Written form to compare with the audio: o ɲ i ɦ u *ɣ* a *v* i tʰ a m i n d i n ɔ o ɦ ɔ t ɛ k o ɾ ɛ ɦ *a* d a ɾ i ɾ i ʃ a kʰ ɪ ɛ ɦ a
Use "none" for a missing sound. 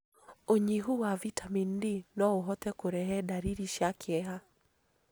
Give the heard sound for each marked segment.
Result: w, v, ɛ

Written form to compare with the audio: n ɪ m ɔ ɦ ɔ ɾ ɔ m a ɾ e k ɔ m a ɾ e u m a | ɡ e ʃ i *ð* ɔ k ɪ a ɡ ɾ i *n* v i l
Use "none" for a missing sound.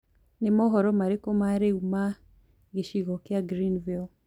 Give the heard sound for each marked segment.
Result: ɣ, n

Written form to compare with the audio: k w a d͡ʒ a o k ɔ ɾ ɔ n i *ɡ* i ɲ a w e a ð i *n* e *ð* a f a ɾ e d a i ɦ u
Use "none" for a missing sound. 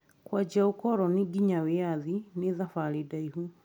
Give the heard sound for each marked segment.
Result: ɡ, n, ð

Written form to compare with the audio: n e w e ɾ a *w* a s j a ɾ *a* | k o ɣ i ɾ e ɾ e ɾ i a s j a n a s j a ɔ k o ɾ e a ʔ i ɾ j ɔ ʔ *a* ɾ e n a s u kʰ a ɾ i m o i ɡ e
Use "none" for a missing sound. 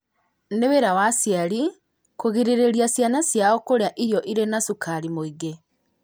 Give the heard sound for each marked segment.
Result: w, i, i

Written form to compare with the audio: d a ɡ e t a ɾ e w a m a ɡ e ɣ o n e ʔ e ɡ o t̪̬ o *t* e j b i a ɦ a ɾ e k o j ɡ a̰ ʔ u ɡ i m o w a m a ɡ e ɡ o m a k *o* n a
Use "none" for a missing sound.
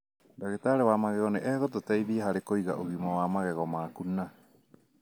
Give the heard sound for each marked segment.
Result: t, u

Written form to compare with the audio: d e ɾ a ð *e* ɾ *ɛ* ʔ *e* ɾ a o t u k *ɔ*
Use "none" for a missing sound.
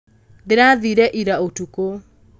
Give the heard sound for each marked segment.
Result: i, ɛ, i, o

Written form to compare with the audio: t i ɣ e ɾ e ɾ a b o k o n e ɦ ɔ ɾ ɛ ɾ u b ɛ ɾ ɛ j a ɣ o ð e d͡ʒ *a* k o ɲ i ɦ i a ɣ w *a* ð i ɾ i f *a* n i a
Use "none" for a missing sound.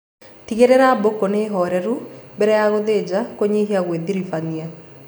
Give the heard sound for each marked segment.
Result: a, e, a

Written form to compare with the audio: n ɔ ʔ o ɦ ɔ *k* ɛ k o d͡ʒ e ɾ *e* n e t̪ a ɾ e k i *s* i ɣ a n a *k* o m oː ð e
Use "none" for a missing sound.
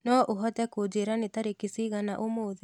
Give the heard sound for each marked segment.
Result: t, a, s, ʔ

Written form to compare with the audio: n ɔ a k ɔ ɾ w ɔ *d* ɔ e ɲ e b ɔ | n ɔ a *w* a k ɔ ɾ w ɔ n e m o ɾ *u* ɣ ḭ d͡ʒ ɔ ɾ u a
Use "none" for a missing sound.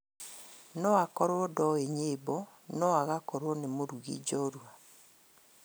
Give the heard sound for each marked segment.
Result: d, ɣ, u

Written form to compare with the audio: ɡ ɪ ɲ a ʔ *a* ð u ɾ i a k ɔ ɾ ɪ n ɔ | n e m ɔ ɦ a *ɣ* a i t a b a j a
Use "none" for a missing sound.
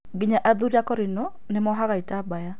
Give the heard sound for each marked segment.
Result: a, ɣ

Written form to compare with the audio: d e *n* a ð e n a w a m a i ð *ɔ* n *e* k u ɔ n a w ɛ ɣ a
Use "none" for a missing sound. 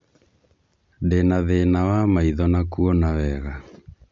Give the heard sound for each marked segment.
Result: n, ɔ, a

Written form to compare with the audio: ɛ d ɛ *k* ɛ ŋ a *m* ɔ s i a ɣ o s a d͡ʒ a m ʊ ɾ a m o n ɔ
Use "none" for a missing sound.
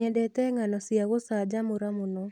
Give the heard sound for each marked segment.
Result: t, n

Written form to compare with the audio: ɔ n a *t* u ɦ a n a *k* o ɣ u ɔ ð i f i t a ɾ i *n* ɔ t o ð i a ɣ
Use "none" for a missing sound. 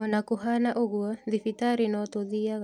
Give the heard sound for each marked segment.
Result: k, ʔ, n

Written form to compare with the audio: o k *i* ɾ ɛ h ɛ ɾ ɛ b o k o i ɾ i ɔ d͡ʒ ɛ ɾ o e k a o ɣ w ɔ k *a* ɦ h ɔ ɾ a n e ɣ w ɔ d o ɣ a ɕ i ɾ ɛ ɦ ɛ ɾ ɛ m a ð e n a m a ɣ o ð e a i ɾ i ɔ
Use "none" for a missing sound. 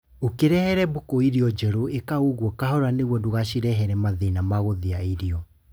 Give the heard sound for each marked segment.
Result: e, a

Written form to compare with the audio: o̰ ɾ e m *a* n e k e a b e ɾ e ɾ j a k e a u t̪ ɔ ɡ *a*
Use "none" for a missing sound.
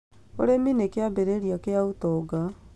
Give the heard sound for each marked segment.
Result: i, a

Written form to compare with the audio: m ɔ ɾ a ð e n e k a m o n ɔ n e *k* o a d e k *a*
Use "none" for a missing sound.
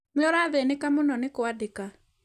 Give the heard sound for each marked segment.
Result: k, a

